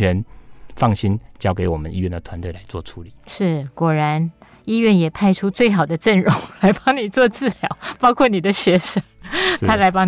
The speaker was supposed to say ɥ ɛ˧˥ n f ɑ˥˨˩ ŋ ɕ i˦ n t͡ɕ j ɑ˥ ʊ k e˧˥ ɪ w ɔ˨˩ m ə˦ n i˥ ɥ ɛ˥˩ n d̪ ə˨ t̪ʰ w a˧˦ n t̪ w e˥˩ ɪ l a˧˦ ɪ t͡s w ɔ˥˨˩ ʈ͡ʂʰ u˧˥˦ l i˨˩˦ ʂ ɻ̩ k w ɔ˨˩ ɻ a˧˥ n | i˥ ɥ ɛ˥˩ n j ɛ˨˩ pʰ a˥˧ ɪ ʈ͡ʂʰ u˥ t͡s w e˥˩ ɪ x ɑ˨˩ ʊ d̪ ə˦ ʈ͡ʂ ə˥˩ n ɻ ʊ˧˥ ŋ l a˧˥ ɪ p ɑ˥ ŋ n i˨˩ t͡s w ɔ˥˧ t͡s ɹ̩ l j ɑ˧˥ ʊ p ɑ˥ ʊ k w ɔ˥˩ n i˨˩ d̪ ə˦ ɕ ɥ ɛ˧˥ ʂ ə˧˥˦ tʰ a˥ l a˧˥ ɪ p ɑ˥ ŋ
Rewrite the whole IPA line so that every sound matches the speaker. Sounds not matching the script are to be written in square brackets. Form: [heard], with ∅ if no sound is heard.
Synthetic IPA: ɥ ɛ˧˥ n f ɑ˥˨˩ ŋ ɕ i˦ n t͡ɕ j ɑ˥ ʊ k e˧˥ ɪ w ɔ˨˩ m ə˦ n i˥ ɥ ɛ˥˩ n d̪ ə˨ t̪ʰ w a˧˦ n t̪ w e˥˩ ɪ l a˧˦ ɪ t͡s w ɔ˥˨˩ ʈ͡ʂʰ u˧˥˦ l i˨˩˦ ʂ ɻ̩ k w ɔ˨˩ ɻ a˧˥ n | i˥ ɥ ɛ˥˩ n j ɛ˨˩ pʰ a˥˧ ɪ ʈ͡ʂʰ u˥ t͡s w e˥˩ ɪ x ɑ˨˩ ʊ d̪ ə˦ ʈ͡ʂ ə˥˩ n ɻ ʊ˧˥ ŋ l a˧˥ ɪ p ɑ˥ ŋ n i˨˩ t͡s w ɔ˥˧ t͡s ɹ̩ l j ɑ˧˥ ʊ p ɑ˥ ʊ [kʰ] w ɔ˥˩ n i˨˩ d̪ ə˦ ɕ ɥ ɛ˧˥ ʂ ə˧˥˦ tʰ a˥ l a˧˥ ɪ p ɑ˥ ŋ